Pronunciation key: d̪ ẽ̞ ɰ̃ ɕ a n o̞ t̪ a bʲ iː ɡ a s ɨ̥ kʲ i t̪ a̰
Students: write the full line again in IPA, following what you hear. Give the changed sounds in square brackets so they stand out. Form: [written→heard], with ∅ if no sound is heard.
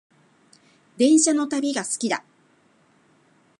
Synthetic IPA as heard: d̪ ẽ̞ ɰ̃ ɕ a n o̞ t̪ a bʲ [iː→i] ɡ a s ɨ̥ kʲ i [t̪→d̪] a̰